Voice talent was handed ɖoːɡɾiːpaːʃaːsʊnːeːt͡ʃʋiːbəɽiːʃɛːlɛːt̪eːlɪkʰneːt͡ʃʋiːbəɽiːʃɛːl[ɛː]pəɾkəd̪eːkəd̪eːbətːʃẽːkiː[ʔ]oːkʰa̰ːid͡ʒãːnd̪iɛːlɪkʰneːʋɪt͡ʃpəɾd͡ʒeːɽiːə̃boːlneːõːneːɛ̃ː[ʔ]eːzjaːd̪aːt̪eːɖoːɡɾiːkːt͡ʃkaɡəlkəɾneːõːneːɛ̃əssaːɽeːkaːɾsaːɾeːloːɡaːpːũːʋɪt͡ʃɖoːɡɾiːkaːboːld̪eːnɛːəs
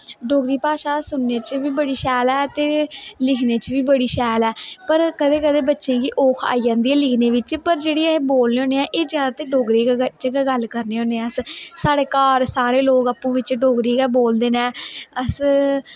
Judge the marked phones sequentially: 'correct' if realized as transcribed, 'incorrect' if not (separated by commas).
correct, correct, correct